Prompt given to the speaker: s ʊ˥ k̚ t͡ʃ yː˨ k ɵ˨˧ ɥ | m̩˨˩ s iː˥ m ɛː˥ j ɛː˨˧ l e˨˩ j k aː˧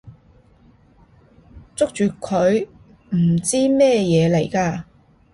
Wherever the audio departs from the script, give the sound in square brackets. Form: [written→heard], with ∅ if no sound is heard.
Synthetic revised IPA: [s→t͡s] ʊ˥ k̚ t͡ʃ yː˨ [k→kʰ] ɵ˨˧ ɥ | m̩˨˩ [s→t͡s] iː˥ m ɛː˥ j ɛː˨˧ l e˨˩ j k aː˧